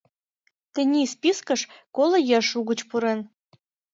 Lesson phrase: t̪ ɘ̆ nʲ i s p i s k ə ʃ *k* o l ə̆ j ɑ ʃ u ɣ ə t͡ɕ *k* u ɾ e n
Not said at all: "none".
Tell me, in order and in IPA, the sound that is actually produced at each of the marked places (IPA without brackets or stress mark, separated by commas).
k, p